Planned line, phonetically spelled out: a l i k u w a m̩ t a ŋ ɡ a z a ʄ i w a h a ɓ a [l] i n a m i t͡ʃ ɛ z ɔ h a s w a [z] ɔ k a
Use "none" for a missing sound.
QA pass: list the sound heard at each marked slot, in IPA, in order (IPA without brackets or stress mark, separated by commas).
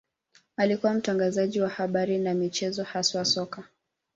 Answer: ɾ, s